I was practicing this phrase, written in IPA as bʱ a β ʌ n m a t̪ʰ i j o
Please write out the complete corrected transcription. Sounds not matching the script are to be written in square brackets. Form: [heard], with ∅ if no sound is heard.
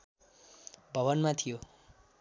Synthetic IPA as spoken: bʱ [ʌ] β ʌ n m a t̪ʰ i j o